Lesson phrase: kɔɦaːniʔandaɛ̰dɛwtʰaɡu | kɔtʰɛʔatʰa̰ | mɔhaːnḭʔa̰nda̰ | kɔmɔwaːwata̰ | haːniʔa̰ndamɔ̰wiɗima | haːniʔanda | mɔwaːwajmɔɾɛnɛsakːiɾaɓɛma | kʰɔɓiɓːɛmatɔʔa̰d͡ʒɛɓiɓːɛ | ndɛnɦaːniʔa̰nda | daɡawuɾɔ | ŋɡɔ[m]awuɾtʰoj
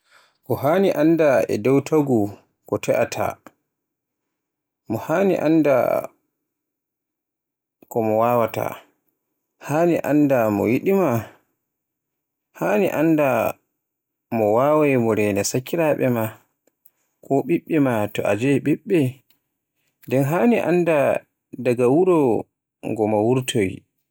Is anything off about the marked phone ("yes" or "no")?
no